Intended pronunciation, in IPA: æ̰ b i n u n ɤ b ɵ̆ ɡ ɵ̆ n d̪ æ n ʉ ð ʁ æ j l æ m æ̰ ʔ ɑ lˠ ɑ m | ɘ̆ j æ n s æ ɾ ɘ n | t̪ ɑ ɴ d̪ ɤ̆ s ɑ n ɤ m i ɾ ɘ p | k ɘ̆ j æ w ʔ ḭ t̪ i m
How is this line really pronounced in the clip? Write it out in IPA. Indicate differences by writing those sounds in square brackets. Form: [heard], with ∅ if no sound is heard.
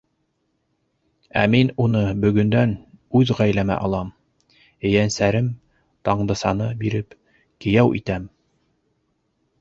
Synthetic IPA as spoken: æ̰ [m] i n u n ɤ b ɵ̆ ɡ ɵ̆ n d̪ æ n ʉ ð ʁ æ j l æ m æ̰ ʔ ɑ lˠ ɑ m | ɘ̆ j æ n s æ ɾ ɘ [m] | t̪ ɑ ɴ d̪ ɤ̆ s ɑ n ɤ [b] i ɾ ɘ p | k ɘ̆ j æ w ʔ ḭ t̪ [æ] m